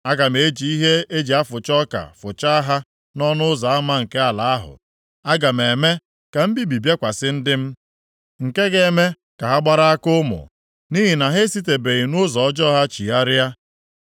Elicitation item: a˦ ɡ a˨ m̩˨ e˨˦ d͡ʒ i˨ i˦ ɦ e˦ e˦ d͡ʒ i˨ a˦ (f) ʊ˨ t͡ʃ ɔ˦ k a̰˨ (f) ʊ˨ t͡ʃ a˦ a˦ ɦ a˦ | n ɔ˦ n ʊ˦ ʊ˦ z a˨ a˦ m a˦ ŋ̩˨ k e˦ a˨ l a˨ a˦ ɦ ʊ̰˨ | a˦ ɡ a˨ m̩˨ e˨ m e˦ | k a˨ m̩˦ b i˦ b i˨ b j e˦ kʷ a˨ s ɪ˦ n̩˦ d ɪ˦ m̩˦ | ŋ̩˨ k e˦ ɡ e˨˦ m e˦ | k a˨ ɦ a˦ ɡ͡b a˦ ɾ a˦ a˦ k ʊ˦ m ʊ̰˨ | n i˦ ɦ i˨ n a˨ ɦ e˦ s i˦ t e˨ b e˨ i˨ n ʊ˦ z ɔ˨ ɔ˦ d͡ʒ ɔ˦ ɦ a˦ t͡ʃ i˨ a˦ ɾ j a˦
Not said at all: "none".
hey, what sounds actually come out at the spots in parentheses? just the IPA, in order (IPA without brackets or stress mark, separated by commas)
f, f